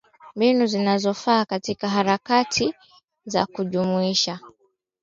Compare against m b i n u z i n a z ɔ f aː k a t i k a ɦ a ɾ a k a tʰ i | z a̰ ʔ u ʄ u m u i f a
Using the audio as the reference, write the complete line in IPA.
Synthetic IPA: m b i n u z i n a z ɔ f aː k a t i k a ɦ a ɾ a k a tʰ i | z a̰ k u ʄ u m u i ʃ a